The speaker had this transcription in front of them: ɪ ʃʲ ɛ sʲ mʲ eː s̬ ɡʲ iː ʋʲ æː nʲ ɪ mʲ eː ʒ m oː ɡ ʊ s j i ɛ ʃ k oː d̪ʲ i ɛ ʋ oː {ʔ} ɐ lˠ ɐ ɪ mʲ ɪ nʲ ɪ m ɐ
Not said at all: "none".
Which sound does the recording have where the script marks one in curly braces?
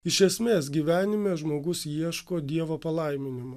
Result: p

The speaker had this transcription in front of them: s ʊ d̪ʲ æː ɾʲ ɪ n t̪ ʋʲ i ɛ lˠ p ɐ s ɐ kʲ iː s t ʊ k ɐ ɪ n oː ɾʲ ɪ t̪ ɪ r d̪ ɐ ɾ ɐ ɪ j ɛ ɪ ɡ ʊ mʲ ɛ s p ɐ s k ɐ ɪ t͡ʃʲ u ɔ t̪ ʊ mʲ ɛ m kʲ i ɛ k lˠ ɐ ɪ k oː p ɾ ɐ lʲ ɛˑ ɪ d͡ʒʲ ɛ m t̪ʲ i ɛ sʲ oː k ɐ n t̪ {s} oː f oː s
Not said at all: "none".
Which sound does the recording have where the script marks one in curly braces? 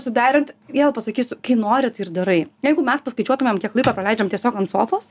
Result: s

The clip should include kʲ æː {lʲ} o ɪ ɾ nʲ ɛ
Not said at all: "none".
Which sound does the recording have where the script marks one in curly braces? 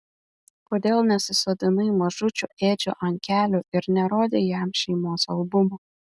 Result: lʲ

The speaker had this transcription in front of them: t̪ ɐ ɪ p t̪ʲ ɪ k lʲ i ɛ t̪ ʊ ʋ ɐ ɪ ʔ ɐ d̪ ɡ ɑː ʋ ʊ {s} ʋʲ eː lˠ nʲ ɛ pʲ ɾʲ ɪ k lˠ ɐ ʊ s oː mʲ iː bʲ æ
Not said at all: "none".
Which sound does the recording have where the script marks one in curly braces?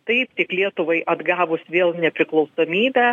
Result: s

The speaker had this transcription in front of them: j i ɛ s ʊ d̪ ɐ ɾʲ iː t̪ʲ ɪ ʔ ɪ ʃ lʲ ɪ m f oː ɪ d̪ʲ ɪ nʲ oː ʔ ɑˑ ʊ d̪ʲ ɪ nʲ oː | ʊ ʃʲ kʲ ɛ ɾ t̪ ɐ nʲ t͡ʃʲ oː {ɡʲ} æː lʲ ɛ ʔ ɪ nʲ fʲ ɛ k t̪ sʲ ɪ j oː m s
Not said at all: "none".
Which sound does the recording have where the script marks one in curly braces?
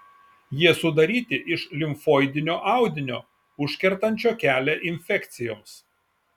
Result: kʲ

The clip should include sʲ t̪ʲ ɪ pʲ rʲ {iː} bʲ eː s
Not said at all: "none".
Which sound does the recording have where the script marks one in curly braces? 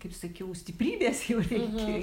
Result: iː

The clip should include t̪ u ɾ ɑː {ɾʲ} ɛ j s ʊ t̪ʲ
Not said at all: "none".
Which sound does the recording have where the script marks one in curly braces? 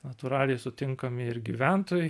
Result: lʲ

